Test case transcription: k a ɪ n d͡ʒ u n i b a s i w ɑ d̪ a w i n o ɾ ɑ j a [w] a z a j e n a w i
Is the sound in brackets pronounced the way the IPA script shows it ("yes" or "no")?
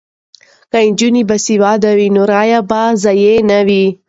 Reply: no